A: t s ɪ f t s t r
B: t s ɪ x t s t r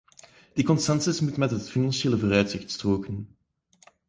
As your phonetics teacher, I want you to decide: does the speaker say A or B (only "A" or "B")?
B